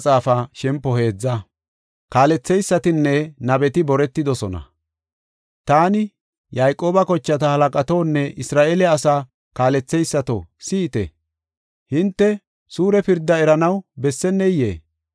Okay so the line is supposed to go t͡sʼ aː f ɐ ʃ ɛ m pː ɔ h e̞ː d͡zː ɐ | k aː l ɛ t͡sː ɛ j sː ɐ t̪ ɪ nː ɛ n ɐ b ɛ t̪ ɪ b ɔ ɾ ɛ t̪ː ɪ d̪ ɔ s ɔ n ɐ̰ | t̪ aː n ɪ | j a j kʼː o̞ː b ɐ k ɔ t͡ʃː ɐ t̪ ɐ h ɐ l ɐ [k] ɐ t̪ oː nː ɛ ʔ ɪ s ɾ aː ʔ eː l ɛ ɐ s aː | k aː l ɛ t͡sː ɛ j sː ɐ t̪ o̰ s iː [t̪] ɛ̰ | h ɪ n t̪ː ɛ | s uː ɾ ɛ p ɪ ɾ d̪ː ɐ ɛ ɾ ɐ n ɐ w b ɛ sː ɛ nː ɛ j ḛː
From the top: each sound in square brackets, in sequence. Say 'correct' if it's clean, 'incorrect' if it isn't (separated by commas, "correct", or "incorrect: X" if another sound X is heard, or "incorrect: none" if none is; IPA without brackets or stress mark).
incorrect: kʼ, correct